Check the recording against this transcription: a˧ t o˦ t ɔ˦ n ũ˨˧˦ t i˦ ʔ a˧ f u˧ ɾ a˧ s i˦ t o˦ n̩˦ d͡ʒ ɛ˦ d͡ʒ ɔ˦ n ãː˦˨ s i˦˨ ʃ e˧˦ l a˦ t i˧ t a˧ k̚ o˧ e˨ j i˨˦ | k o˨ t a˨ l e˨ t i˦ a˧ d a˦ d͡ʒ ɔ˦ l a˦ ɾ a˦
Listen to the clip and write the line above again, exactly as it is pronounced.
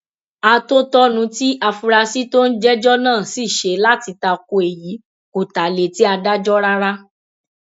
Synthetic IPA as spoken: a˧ t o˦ t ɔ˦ n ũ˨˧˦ t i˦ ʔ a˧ f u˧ ɾ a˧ s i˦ t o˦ n̩˦ d͡ʒ ɛ˦ d͡ʒ ɔ˦ n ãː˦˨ s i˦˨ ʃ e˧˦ l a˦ t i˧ t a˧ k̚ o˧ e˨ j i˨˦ | k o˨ t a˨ l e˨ t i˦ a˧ d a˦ d͡ʒ ɔ˦ ɾ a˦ ɾ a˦